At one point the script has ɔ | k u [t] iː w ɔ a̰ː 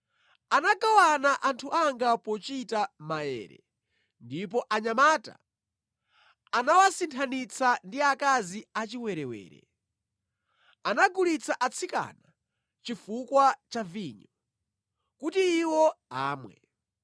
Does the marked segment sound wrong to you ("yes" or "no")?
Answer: no